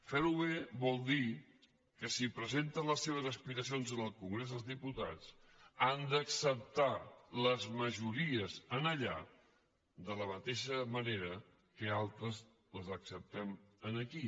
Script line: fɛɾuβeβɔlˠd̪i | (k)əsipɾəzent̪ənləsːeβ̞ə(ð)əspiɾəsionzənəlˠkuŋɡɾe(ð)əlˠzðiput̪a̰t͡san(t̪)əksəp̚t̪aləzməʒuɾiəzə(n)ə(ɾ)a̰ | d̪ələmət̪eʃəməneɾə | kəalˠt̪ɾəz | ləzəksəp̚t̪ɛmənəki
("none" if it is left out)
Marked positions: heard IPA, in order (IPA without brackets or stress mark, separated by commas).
k, z, z, d̪, n, ʎ